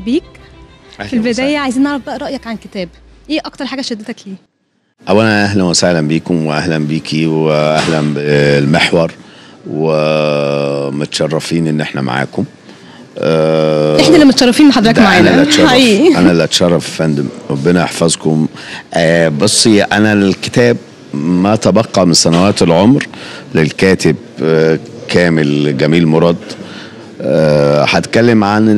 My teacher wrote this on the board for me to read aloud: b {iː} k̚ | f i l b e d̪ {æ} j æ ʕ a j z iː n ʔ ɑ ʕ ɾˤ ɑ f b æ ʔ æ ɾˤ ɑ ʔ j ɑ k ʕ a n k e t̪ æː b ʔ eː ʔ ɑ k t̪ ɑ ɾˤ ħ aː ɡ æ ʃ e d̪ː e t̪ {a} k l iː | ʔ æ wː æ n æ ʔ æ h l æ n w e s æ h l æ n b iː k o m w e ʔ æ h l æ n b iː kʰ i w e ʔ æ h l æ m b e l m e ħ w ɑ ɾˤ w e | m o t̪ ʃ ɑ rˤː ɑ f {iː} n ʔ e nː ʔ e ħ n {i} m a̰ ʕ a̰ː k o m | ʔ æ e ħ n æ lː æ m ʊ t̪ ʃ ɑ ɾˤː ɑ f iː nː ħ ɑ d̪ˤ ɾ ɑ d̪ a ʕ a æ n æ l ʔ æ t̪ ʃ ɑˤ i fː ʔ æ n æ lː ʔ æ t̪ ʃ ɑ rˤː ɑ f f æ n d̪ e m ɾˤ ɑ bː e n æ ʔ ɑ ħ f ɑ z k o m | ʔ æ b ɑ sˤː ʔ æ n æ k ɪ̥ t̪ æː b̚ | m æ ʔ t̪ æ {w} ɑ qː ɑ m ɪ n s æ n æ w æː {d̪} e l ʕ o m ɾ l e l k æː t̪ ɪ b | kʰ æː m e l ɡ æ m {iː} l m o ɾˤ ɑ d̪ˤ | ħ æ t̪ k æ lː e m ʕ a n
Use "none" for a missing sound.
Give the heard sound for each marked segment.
iː, æː, æ, iː, æ, b, t̪, iː

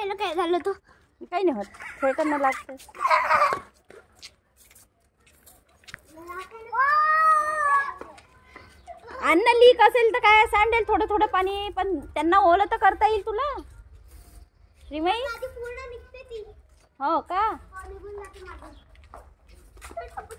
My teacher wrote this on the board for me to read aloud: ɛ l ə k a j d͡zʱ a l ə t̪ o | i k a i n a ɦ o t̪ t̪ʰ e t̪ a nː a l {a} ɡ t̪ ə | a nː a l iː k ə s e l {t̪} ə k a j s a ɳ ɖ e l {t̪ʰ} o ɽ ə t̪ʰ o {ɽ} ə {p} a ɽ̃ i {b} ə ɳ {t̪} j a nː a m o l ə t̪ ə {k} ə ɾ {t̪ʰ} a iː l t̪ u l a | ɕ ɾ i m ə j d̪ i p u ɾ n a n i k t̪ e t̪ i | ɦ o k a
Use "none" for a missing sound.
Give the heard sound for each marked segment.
a, t̪, t̪ʰ, ɽ, p, p, t̪, k, t̪

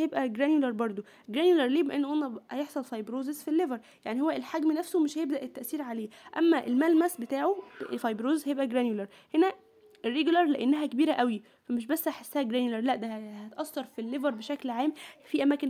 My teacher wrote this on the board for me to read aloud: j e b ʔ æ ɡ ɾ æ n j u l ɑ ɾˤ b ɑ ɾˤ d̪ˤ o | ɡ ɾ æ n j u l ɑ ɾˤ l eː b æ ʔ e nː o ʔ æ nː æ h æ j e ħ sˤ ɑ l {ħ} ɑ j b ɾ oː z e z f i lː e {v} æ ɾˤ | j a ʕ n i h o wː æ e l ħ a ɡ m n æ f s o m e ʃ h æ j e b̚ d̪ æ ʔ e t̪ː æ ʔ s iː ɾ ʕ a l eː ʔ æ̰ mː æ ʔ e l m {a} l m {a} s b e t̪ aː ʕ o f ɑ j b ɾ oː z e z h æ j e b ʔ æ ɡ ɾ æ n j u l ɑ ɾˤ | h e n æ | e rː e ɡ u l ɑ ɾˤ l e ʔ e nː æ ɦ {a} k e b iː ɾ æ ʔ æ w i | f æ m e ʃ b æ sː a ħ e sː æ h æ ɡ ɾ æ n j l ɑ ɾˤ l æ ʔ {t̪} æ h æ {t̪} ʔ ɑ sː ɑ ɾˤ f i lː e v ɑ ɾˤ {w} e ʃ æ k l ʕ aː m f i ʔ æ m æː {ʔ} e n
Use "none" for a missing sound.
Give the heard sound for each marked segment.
f, v, æ, æ, æ, d̪, t̪, b, k

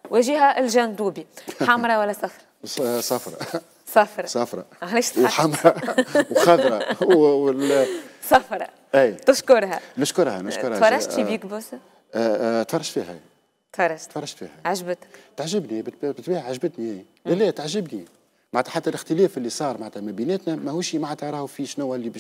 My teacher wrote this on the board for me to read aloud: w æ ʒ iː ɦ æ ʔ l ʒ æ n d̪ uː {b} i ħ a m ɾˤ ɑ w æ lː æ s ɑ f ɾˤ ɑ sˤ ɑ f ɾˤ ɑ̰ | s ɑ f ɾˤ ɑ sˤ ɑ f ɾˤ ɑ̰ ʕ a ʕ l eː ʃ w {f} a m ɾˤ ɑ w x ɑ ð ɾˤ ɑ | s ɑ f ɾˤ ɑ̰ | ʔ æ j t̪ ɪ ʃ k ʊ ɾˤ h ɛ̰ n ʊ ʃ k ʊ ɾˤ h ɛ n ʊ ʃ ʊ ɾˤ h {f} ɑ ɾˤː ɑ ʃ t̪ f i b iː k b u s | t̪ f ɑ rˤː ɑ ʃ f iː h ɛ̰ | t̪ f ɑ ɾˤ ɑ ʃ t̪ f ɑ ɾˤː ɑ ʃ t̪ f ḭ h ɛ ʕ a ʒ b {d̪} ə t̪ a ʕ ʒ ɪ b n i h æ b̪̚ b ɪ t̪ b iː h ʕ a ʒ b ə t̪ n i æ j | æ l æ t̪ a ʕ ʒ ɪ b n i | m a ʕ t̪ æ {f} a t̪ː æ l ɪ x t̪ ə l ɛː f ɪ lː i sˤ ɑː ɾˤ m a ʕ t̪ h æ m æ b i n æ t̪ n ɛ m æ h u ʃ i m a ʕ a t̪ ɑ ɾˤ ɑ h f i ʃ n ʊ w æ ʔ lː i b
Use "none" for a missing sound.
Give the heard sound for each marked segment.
b, ħ, f, t̪, ħ

